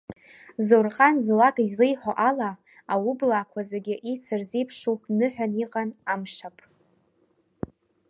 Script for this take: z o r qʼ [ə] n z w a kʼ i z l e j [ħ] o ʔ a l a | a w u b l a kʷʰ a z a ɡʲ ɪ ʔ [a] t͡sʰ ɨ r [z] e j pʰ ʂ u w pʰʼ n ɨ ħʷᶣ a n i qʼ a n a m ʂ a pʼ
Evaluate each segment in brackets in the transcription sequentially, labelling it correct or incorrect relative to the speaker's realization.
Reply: incorrect: a, correct, incorrect: i, correct

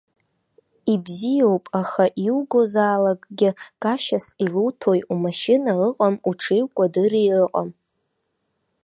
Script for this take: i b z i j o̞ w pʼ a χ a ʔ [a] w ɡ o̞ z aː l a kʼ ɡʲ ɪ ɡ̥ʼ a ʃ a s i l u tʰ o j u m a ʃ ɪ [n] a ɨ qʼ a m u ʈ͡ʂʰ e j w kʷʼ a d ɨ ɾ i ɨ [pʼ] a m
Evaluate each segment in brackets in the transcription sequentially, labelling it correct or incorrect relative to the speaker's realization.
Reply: incorrect: i, correct, incorrect: qʼ

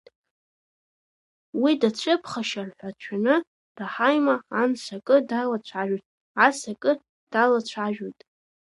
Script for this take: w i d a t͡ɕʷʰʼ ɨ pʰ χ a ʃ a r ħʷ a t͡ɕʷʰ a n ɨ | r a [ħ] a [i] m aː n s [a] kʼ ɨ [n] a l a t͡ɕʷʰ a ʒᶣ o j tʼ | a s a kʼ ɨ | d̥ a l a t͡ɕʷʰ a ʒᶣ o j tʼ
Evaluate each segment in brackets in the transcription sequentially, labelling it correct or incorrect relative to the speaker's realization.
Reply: correct, incorrect: j, correct, incorrect: d

